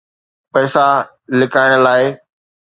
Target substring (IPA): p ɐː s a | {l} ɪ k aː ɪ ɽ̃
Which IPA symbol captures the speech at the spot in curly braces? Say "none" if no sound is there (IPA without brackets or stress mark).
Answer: l